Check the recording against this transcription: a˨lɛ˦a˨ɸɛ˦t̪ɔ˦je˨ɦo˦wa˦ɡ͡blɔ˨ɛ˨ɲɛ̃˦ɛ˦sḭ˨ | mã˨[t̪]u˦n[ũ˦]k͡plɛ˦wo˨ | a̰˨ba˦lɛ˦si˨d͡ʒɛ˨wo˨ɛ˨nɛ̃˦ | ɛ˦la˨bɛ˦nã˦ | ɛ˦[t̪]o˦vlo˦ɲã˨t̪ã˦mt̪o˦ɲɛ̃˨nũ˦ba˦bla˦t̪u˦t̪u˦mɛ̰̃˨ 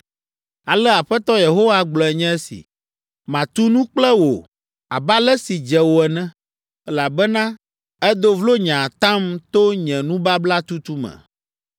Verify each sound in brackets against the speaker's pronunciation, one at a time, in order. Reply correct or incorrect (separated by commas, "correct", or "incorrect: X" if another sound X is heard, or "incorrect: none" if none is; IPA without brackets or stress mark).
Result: correct, correct, incorrect: d̪